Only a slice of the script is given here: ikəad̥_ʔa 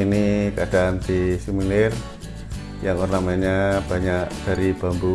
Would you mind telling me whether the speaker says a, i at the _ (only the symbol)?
a